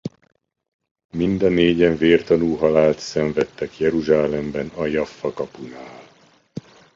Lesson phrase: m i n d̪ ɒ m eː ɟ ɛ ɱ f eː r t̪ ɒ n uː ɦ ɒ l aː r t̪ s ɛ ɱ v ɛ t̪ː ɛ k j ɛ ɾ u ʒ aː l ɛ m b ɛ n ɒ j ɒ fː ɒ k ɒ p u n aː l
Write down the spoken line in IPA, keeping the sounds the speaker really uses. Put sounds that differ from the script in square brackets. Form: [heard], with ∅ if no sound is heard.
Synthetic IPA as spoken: m i n d̪ ɒ [n] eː ɟ ɛ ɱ [v] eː r t̪ ɒ n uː ɦ ɒ l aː [l] t̪ s ɛ ɱ v ɛ t̪ː ɛ k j ɛ ɾ u ʒ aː l ɛ m b ɛ n ɒ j ɒ fː ɒ k ɒ p u n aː l